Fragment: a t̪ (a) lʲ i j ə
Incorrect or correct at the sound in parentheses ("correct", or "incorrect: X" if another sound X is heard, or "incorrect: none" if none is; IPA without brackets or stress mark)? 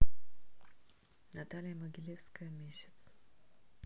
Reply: correct